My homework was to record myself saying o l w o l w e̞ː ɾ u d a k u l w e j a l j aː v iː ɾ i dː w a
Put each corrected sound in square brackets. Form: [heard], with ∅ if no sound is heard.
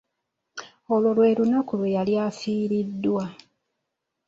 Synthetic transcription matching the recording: o l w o l w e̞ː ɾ u [n] a k u l w e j a l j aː [f] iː ɾ i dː w a